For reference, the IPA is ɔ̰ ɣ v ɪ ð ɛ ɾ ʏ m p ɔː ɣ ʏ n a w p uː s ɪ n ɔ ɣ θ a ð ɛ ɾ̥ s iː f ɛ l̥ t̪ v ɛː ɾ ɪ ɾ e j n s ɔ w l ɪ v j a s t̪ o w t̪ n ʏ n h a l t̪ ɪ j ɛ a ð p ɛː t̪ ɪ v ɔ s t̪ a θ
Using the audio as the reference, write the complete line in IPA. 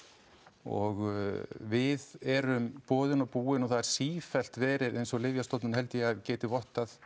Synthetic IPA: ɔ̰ ɣ v ɪ ð ɛ ɾ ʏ m p ɔː ð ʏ n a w p uː ɪ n ɔ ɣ θ a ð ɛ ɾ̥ s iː f ɛ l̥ t̪ v ɛː ɾ ɪ ɾ e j n s ɔ ɣ l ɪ v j a s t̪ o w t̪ n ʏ n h ɛ l t̪ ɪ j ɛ a ð c ɛː t̪ ɪ v ɔ h t̪ a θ